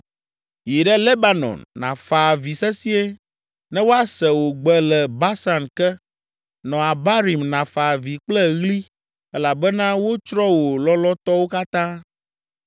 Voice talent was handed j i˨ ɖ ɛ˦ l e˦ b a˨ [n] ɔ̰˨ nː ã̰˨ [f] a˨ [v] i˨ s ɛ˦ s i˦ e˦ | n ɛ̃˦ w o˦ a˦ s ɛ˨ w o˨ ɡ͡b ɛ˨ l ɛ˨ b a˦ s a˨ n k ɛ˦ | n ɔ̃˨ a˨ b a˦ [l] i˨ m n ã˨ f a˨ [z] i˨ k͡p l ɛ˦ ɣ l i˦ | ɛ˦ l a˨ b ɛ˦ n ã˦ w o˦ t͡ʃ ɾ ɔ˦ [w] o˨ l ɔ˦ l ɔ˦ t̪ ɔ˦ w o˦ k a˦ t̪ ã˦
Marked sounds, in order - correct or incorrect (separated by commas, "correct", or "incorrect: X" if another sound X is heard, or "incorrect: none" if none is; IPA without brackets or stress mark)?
correct, correct, correct, incorrect: ɾ, incorrect: v, correct